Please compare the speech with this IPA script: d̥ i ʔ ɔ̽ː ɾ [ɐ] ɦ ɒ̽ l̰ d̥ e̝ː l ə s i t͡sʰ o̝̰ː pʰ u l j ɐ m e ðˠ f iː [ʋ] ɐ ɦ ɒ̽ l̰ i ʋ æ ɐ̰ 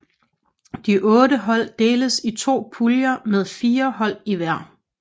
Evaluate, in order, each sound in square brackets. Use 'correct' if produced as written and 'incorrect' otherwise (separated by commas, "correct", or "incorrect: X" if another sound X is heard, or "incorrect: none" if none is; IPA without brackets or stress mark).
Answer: incorrect: ə, incorrect: none